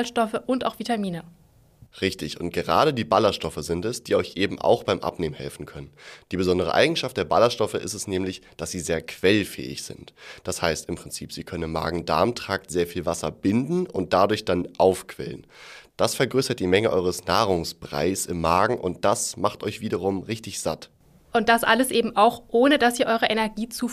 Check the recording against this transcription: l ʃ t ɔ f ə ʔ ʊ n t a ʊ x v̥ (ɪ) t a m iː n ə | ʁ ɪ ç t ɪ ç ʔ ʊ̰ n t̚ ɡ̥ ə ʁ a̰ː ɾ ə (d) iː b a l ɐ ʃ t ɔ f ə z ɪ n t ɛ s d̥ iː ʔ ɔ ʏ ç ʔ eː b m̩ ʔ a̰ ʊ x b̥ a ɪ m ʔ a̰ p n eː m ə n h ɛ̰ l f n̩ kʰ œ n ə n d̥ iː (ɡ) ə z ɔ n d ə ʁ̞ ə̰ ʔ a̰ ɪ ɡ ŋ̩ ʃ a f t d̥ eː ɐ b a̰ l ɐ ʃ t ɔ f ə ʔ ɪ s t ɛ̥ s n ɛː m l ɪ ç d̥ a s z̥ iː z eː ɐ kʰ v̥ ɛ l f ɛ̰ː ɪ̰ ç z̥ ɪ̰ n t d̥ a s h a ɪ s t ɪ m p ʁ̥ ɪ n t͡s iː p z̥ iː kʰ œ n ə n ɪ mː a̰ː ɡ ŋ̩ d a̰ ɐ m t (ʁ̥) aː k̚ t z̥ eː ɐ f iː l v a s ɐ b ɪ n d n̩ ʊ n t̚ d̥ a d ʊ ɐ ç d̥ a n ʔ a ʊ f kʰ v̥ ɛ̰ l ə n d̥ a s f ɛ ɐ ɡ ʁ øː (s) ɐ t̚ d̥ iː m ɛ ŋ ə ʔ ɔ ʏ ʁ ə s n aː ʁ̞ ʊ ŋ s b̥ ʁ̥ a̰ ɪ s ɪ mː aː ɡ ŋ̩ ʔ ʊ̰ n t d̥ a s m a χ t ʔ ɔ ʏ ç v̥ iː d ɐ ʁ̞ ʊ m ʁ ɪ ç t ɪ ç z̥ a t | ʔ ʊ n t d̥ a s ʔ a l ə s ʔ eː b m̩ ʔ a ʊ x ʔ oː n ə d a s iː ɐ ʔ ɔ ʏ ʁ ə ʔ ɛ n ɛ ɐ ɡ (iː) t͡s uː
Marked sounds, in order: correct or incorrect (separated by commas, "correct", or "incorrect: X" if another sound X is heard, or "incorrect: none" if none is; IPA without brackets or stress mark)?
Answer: incorrect: i, correct, incorrect: b, correct, correct, correct